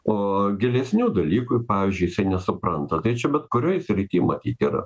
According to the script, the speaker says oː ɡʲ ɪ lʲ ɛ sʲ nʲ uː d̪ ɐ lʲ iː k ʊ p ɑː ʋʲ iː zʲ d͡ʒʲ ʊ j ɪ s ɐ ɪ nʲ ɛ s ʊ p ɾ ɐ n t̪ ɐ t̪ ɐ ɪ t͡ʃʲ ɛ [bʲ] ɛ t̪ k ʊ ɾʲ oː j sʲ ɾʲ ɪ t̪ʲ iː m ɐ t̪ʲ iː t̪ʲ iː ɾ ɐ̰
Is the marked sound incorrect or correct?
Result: correct